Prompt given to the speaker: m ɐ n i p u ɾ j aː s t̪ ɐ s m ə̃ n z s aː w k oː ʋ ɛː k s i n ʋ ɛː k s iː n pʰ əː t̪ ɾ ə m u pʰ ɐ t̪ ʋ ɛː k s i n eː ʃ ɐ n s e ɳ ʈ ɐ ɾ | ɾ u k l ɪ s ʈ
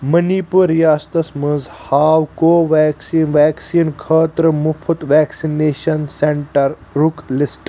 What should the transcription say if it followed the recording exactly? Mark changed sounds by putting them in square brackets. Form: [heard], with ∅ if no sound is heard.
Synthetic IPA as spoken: m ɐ n i p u ɾ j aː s t̪ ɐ s m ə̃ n z [h] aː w k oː ʋ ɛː k s i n ʋ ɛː k s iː n [kʰ] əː t̪ ɾ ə m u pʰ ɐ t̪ ʋ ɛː k s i n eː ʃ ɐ n s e ɳ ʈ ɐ ɾ | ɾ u k l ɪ s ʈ